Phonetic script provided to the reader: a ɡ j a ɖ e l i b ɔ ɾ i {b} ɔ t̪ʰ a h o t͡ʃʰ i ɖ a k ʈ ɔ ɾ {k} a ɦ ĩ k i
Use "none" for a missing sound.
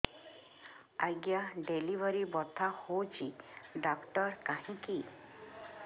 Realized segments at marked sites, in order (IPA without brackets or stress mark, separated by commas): b, k